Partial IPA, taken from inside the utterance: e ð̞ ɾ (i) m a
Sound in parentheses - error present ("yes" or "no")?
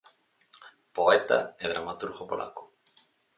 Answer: yes